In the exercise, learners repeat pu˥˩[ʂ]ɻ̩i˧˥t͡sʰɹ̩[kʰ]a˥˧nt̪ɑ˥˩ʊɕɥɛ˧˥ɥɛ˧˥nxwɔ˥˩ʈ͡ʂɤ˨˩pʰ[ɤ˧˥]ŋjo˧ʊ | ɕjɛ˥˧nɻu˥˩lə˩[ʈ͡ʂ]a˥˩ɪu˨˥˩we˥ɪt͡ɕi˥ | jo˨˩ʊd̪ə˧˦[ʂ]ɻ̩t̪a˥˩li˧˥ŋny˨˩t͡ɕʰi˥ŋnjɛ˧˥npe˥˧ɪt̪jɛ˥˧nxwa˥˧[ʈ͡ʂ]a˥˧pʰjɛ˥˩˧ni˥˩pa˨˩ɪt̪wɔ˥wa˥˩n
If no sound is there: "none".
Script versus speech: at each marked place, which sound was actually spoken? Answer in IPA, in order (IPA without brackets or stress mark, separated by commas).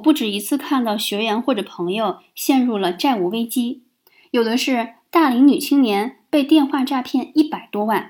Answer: ʈ͡ʂ, kʰ, ɤ˧˥, ʈ͡ʂ, ʂ, ʈ͡ʂ